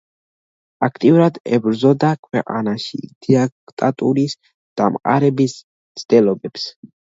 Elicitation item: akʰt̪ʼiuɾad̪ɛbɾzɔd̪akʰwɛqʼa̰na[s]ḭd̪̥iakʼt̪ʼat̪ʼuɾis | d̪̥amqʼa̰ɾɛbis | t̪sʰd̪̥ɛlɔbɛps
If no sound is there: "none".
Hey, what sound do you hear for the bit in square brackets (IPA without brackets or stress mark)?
ʃ